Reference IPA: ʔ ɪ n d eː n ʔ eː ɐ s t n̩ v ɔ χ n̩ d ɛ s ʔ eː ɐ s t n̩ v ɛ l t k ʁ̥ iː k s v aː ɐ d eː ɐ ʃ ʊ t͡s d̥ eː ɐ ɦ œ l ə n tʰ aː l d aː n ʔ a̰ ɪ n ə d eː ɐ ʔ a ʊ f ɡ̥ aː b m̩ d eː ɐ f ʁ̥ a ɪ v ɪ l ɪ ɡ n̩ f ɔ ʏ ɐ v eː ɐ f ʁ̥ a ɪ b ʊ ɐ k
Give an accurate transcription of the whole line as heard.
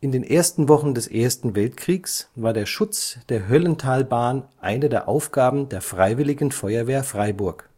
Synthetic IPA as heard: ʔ ɪ n d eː n ʔ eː ɐ s t n̩ v ɔ χ n̩ d ɛ s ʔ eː ɐ s t n̩ v ɛ l t k ʁ̥ iː k s v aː ɐ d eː ɐ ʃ ʊ t͡s d̥ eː ɐ ɦ œ l ə n tʰ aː l b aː n ʔ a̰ ɪ n ə d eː ɐ ʔ a ʊ f ɡ̥ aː b m̩ d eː ɐ f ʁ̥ a ɪ v ɪ l ɪ ɡ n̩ f ɔ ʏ ɐ v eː ɐ f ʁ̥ a ɪ b ʊ ɐ k